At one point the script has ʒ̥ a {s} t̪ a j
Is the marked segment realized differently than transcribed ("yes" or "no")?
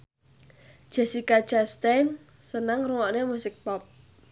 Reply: no